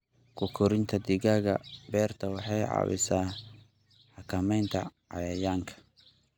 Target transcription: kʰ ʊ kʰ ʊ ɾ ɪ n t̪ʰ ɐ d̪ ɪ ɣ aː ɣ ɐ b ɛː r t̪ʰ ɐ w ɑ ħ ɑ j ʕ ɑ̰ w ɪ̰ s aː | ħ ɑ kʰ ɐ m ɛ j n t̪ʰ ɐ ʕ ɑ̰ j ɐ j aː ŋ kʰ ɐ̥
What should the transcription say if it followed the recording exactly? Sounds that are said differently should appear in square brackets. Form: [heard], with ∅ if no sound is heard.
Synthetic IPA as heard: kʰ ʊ kʰ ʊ ɾ ɪ n t̪ʰ ɐ d̪ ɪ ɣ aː ɣ ɐ b ɛː r t̪ʰ ɐ w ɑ ħ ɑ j ʕ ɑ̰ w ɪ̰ s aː | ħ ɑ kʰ ɐ m ɛ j n t̪ʰ ɐ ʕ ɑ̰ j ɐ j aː ŋ kʰ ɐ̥